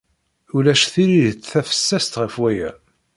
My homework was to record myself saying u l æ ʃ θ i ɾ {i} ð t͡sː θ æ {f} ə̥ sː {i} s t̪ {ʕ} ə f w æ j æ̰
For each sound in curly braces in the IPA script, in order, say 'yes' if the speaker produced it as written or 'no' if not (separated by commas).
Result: yes, yes, no, no